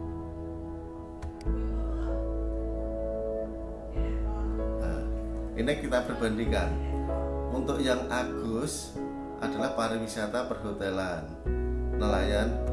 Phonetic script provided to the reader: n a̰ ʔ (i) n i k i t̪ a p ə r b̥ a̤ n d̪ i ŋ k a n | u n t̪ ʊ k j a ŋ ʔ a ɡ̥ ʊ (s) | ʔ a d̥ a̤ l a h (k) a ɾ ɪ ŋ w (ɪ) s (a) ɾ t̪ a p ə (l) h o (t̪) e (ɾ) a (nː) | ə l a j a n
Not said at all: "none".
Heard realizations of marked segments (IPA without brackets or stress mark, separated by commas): i, s, p, i, a, r, t̪, l, nː